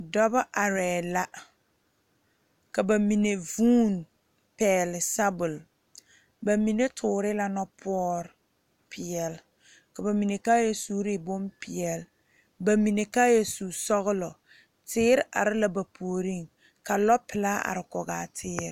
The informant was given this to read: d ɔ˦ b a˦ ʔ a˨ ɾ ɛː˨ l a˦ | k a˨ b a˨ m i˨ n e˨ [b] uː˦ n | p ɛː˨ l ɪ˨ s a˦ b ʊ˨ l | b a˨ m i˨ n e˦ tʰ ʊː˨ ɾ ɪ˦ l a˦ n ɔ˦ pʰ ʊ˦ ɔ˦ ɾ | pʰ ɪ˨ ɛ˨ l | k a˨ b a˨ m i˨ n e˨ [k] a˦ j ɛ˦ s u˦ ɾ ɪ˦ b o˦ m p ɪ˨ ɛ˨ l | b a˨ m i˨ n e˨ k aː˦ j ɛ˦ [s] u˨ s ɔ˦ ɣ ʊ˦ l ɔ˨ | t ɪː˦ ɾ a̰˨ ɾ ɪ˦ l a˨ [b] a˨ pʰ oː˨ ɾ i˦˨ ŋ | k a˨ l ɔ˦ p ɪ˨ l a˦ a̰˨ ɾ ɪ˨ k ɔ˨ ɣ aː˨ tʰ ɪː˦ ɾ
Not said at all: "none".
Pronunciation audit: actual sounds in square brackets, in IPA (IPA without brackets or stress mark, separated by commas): v, k, s, b